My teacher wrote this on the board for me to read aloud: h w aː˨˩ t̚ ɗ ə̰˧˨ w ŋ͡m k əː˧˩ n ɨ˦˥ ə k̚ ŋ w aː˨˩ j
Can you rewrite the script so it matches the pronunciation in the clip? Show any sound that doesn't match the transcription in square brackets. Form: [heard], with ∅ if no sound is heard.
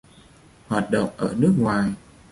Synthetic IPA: h w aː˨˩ t̚ ɗ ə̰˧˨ w ŋ͡m [ʔ] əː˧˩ n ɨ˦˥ ə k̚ ŋ w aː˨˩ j